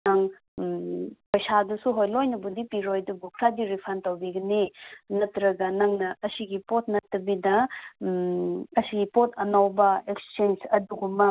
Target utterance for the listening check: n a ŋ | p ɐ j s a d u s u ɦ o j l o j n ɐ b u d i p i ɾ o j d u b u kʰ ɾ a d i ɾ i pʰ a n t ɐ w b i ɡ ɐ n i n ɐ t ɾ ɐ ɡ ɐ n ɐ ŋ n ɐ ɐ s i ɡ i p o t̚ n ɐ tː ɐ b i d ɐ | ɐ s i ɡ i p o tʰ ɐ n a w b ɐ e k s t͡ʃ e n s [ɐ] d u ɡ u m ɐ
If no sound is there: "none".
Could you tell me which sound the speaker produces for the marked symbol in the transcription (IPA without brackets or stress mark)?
ɐ